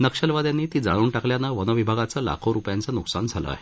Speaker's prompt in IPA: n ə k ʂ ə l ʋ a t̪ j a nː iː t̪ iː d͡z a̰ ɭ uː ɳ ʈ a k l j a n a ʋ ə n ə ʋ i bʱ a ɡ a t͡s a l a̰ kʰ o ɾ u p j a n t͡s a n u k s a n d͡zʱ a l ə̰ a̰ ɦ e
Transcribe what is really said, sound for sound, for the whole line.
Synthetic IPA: n ə k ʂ ə l ʋ a d̪ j a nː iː t̪ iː d͡z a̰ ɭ uː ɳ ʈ a k l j a n a ʋ ə n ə ʋ i bʱ a ɡ a t͡s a l a̰ kʰ o ɾ u p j a n t͡s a n u k s a n d͡zʱ a l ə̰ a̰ ɦ e